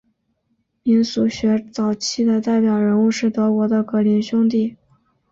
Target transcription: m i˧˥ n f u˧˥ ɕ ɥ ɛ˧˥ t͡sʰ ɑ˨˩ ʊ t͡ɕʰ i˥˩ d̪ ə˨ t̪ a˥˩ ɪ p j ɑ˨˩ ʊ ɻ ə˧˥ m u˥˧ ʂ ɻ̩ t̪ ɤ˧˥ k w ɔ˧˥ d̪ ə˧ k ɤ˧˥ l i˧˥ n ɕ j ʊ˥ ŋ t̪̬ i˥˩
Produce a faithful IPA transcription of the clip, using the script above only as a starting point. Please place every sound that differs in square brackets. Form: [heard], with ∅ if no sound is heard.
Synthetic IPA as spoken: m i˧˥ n [s] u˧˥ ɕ ɥ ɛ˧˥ [t͡s] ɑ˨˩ ʊ t͡ɕʰ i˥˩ d̪ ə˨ t̪ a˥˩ ɪ p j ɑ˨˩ ʊ ɻ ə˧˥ [n] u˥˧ ʂ ɻ̩ t̪ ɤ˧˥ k w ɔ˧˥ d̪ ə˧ k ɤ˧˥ l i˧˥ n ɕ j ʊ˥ ŋ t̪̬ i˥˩